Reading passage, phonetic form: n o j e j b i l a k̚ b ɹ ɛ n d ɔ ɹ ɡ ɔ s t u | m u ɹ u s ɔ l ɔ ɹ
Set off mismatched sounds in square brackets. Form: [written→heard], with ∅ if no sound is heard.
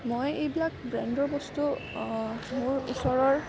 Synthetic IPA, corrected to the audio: [n→m] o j e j b i l a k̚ b ɹ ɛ n d ɔ ɹ [ɡ→b] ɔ s t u | m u ɹ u s ɔ [l→ɹ] ɔ ɹ